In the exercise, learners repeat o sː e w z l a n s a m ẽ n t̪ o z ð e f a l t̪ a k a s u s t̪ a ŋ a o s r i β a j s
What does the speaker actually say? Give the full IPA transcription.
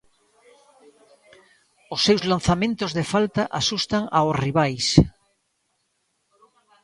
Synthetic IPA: o sː e w z l a n θ a m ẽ n t̪ o z ð e f a l t̪ a ʔ a s u s t̪ a ŋ a o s r i β a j s